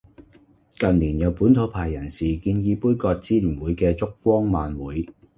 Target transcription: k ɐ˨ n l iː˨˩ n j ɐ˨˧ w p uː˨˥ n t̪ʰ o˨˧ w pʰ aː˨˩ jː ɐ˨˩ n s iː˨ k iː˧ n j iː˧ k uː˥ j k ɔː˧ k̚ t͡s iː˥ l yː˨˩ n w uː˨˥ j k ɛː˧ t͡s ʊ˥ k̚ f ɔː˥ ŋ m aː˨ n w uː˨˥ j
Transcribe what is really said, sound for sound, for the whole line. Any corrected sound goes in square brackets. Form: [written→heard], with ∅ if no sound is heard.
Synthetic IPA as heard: k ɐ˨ n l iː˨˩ n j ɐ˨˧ w p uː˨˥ n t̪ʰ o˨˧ w pʰ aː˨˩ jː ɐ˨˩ n s iː˨ k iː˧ n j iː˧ [k→p] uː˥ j k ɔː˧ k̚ t͡s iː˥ l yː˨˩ n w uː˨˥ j k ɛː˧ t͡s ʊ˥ k̚ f ɔː˥ ŋ m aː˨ n w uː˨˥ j